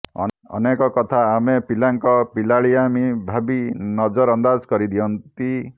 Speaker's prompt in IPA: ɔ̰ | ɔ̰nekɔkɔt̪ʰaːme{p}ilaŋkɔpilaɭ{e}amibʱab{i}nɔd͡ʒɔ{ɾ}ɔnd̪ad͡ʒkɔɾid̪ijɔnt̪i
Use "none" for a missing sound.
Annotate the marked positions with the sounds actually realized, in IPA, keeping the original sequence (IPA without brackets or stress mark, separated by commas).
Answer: p, i, i, ɾ